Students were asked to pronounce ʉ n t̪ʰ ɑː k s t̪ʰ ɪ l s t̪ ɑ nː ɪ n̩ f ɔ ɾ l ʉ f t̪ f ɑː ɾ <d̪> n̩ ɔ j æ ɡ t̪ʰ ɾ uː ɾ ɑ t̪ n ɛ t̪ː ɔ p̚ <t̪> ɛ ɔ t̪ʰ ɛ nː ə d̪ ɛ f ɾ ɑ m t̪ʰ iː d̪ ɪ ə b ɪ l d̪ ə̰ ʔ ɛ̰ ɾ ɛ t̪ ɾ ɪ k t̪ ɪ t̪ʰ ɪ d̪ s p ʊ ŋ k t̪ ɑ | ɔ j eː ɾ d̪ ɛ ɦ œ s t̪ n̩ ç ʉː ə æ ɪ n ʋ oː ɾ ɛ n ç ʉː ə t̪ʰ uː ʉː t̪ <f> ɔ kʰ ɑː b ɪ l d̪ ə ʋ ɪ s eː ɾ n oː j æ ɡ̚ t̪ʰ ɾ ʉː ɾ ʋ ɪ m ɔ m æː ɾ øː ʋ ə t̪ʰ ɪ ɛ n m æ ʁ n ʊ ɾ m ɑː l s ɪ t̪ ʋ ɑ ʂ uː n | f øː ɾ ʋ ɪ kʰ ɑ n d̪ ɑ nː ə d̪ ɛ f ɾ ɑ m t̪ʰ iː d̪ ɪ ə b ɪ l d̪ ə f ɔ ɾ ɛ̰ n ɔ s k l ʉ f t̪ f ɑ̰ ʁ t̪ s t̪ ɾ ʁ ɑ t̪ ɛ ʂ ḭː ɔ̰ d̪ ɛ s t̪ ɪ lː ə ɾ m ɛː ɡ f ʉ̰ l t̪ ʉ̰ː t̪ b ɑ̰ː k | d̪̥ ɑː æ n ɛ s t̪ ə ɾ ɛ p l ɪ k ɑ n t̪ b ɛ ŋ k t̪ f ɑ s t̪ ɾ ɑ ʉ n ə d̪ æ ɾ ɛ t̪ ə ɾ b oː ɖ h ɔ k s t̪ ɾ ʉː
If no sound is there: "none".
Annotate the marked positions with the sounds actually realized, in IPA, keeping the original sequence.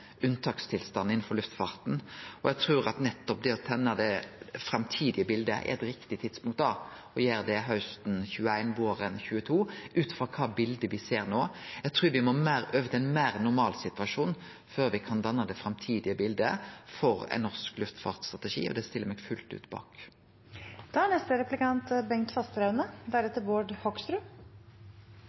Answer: t̪, d̪, f

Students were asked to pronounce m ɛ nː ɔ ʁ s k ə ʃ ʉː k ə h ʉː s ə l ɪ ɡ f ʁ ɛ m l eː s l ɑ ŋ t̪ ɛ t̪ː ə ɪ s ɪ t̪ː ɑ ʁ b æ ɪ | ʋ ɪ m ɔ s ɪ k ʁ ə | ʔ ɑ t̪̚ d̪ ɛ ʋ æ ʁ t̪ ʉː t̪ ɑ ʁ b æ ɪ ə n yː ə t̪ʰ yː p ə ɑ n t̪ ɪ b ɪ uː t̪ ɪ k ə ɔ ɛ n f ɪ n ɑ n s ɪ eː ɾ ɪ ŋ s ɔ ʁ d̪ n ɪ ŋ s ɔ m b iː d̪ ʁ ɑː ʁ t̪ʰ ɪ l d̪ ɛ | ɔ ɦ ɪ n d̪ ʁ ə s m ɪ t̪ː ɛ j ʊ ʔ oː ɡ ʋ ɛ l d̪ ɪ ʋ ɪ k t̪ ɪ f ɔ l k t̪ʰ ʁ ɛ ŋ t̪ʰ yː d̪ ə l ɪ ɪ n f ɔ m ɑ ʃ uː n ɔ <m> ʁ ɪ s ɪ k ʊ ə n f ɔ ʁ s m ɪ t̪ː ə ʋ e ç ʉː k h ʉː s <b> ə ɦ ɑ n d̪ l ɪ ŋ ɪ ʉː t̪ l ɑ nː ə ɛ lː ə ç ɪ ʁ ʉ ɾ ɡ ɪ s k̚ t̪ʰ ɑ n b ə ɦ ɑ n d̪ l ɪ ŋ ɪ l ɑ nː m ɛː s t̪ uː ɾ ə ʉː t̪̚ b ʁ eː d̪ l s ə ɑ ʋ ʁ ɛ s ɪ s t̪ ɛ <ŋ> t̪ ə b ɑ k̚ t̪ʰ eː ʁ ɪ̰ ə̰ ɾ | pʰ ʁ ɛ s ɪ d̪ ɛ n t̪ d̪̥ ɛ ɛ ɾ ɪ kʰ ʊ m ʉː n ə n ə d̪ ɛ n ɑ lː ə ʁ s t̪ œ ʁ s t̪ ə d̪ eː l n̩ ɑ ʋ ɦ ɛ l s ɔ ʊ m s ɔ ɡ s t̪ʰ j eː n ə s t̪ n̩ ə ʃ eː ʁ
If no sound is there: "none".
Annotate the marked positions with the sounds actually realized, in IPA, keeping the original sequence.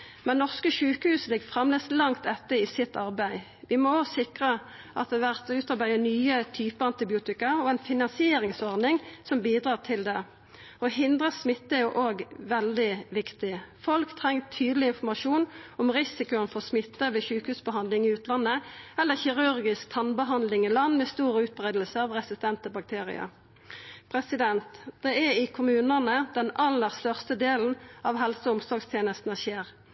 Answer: m, b, n

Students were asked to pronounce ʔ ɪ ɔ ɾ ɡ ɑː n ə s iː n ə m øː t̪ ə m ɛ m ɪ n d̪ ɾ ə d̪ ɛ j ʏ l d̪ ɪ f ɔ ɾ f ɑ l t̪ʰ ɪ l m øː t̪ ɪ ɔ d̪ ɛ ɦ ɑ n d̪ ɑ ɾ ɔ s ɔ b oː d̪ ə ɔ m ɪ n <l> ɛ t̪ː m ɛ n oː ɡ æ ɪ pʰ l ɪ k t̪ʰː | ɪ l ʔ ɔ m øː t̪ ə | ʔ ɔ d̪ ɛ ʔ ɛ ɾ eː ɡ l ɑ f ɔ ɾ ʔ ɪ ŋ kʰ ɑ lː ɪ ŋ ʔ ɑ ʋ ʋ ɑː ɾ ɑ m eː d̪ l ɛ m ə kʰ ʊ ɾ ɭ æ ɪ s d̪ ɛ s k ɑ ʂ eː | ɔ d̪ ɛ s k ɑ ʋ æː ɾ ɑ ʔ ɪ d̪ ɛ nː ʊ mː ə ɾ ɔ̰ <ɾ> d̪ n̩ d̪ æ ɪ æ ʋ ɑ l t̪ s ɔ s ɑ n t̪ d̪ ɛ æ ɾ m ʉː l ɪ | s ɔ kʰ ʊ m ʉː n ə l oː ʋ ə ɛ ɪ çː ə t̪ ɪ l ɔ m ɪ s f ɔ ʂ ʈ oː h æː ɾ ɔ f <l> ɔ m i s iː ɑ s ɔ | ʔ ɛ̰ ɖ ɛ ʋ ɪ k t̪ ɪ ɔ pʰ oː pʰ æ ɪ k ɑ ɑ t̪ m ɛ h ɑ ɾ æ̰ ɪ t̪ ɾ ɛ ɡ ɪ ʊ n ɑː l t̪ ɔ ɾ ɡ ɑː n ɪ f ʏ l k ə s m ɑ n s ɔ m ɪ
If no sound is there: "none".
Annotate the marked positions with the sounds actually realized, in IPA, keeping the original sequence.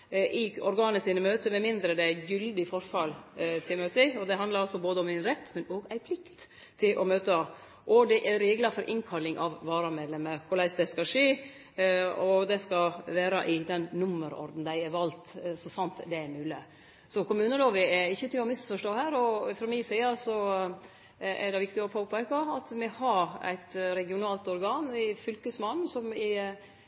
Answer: ɾ, ɾ, ɾ

